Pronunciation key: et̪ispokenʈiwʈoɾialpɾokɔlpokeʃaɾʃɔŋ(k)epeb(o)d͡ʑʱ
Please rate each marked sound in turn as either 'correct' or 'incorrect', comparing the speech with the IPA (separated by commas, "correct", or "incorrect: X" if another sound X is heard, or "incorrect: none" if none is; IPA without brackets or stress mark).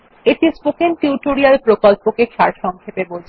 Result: incorrect: kʰ, correct